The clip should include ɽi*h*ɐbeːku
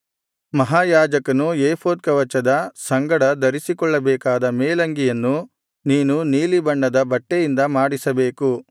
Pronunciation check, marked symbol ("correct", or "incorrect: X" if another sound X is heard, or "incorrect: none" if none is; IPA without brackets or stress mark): incorrect: s